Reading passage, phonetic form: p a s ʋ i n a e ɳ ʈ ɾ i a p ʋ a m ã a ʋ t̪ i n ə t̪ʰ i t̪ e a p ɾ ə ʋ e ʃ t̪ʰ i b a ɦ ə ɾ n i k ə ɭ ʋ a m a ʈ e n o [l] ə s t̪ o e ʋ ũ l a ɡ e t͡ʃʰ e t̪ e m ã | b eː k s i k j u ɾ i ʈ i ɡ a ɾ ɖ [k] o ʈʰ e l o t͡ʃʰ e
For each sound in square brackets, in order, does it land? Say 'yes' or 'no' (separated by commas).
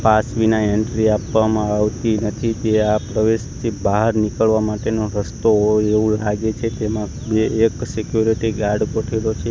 no, yes